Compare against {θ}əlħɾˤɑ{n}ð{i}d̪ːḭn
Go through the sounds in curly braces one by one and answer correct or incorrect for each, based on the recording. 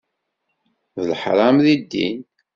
incorrect, incorrect, correct

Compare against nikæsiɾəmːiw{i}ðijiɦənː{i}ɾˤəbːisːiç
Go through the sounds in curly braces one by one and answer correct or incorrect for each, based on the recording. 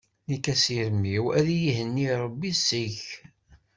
incorrect, correct

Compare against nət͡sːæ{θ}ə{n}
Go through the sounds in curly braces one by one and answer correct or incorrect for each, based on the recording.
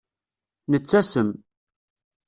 incorrect, incorrect

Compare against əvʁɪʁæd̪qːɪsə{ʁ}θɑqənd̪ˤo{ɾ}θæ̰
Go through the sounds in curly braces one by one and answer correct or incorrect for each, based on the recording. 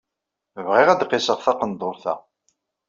correct, correct

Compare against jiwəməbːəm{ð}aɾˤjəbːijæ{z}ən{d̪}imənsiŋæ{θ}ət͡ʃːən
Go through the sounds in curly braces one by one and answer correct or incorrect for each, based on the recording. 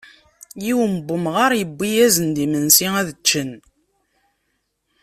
incorrect, correct, correct, incorrect

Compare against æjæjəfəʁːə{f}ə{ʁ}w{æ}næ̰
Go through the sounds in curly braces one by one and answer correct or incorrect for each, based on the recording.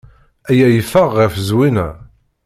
correct, incorrect, incorrect

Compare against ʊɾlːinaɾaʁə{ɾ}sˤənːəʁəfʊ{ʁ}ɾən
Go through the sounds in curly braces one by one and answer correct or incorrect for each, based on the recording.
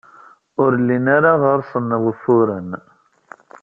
correct, incorrect

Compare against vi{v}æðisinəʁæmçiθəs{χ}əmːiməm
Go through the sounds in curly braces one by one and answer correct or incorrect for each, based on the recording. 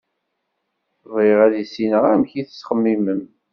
incorrect, correct

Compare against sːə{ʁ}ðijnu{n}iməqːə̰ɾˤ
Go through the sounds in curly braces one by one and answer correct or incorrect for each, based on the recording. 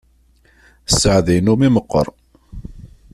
incorrect, incorrect

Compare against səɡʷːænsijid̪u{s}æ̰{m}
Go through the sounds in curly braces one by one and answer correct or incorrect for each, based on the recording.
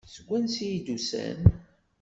correct, incorrect

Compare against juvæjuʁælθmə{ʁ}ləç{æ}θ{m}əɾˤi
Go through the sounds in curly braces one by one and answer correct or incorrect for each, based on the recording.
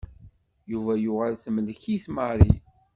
incorrect, incorrect, correct

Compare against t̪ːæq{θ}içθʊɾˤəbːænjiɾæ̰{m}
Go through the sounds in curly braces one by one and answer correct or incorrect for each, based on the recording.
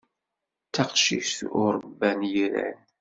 incorrect, incorrect

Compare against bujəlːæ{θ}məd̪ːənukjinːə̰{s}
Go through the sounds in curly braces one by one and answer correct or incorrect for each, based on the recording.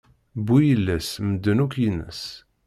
incorrect, correct

